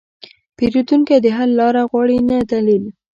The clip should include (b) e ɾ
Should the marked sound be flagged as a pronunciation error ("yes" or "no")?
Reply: yes